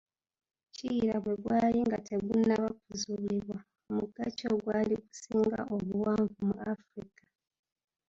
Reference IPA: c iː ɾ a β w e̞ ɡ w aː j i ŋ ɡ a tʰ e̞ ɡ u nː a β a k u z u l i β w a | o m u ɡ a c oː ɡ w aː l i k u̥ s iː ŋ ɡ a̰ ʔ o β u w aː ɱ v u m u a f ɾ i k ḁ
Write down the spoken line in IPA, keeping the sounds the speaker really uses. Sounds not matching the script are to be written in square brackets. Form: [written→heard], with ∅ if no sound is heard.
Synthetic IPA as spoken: c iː ɾ a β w e̞ ɡ w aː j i ŋ ɡ a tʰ e̞ ɡ u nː a β a k u z u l i β w a | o m u ɡ a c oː ɡ w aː l i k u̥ s iː ŋ ɡ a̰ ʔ o β u w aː ɱ v u m u a f ɾ i k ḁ